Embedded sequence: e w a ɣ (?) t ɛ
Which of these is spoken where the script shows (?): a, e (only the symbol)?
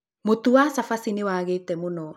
e